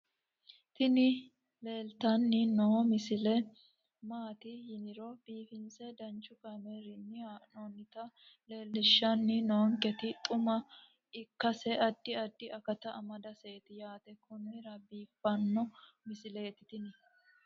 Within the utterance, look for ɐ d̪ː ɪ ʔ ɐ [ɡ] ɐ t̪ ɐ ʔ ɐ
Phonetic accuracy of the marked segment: incorrect: k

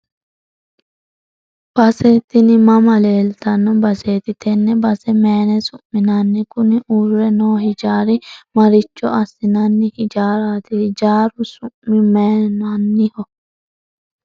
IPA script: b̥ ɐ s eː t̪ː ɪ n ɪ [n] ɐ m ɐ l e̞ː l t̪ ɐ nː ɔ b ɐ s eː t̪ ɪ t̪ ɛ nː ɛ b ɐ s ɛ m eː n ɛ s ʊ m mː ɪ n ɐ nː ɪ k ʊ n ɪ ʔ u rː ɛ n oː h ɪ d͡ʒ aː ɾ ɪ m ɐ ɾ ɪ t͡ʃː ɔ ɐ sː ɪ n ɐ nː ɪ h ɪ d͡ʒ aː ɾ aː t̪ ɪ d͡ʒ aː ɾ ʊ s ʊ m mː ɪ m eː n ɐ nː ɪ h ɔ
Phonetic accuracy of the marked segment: incorrect: m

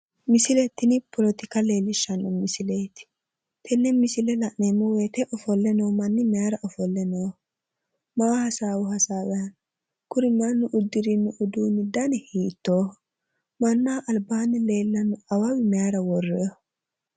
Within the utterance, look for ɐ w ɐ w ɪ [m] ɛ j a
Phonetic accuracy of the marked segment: correct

